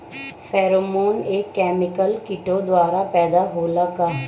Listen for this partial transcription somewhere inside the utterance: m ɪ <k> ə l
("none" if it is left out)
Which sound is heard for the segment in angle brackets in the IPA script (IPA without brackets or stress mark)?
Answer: k